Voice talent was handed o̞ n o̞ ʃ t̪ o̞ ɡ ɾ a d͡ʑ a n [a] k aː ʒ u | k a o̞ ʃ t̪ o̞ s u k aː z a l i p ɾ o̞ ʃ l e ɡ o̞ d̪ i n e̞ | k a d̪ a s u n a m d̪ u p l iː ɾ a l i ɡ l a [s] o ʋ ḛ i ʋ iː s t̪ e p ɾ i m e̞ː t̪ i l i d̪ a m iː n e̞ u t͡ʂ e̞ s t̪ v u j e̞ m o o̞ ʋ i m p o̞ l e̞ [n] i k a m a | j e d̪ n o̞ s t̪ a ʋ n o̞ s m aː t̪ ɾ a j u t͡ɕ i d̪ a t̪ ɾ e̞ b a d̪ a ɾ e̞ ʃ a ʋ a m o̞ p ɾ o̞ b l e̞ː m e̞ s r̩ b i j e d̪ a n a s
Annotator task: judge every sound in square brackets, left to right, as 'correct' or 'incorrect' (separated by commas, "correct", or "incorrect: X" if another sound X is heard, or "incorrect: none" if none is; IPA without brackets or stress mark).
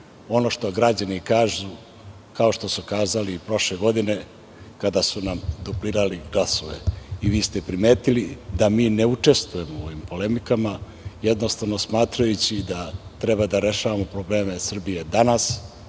incorrect: i, correct, incorrect: m